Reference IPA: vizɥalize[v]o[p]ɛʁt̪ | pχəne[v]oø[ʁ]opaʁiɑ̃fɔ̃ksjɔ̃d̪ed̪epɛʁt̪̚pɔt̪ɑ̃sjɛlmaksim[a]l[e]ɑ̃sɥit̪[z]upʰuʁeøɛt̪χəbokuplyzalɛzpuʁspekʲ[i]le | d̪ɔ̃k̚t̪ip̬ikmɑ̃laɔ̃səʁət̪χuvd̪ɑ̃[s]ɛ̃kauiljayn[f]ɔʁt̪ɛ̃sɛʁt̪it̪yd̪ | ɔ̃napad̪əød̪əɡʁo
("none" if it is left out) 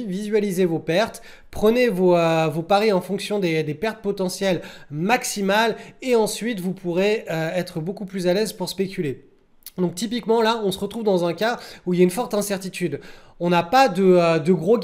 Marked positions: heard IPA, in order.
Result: v, p, v, v, a, e, v, y, z, f

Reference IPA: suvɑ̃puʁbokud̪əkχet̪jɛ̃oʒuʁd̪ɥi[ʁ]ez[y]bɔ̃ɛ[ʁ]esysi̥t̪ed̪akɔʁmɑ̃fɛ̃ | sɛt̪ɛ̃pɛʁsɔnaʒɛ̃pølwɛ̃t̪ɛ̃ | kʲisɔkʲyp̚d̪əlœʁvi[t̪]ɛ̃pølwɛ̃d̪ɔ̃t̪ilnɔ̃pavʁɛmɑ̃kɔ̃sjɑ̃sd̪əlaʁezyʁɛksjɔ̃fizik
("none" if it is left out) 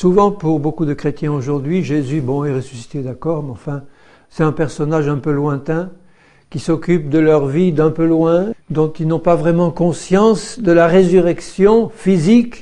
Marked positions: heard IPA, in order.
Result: ʒ, y, ʁ, d̪

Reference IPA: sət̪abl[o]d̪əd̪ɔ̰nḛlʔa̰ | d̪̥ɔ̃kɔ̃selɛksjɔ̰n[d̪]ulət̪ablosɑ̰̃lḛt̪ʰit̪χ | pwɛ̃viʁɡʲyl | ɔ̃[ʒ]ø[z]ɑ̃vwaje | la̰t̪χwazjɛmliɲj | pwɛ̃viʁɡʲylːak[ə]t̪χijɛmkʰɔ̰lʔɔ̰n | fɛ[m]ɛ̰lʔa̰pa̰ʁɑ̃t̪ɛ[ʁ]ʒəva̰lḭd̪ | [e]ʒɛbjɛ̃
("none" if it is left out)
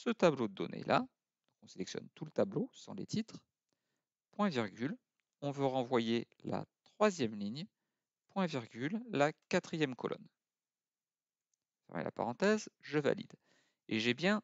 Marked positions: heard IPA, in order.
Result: o, t̪, v, ʁ, a, m, z, e

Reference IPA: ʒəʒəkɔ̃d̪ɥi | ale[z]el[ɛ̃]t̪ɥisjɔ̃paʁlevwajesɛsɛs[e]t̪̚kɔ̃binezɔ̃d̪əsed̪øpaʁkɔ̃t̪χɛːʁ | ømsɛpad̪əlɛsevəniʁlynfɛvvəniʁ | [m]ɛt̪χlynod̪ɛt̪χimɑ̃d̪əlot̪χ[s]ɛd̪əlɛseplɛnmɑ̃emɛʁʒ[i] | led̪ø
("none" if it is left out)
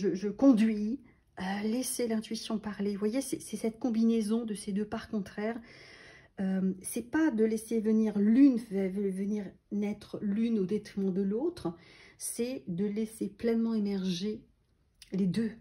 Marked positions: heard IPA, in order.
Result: s, ɛ̃, ɛ, n, s, e

